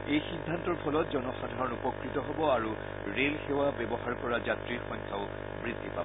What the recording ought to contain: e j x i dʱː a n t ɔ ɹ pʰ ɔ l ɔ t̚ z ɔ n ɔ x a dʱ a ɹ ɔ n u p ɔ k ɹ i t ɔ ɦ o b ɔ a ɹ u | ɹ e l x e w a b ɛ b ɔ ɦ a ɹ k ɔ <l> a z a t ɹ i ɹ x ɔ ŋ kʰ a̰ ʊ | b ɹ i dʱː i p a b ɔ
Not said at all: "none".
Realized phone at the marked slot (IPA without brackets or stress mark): ɹ